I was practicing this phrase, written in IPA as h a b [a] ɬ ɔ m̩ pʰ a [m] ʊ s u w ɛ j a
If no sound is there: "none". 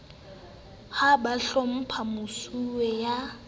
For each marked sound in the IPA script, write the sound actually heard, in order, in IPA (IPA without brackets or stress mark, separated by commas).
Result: a, m